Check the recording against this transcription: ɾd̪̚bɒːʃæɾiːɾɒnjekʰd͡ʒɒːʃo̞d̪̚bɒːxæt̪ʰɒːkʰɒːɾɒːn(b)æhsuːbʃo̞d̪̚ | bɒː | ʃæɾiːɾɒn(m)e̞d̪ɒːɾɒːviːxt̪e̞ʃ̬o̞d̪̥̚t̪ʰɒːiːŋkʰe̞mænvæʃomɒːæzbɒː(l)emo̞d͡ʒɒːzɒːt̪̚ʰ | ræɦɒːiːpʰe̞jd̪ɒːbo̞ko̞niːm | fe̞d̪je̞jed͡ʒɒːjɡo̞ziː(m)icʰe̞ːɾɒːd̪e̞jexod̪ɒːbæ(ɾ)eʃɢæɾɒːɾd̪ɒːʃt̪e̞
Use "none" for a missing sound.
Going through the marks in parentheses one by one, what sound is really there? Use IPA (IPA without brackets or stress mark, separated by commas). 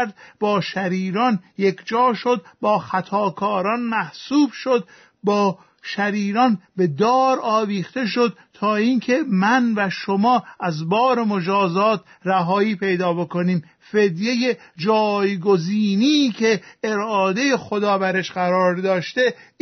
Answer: m, b, ɾ, n, ɾ